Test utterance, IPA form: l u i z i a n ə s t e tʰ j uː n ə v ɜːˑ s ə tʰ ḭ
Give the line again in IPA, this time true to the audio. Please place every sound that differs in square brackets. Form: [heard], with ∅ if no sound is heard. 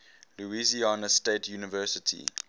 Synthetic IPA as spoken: l u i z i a n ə s t e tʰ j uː n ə v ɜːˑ s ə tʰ ḭ